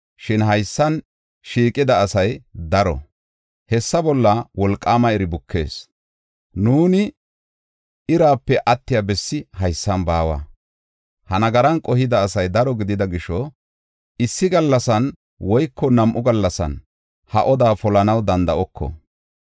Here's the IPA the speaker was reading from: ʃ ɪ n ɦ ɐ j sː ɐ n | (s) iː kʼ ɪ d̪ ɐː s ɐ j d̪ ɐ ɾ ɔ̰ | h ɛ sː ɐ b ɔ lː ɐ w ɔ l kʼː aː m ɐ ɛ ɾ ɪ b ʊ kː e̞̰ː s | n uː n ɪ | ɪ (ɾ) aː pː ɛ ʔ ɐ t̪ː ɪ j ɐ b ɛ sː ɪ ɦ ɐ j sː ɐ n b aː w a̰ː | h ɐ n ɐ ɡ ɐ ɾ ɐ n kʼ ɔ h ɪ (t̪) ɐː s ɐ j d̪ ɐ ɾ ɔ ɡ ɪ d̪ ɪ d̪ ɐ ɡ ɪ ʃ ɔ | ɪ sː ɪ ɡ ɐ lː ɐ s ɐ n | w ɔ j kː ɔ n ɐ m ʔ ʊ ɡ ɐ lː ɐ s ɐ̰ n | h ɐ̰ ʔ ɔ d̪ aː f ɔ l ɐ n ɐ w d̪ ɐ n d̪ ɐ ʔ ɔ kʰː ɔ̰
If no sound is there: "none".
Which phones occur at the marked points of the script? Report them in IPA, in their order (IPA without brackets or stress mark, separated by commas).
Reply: ʃ, ɾ, d̪